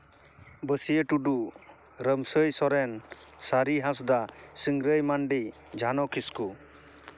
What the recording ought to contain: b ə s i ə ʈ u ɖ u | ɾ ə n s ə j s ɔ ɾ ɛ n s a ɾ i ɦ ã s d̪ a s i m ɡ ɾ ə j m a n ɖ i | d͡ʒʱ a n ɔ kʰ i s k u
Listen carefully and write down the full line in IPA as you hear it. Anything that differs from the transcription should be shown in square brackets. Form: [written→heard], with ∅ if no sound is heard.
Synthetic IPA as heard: b ə s i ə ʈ u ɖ u | ɾ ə [n→m] s ə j s ɔ ɾ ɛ n s a ɾ i ɦ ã s d̪ a s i [m→ŋ] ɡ ɾ ə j m a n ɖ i | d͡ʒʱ a n ɔ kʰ i s k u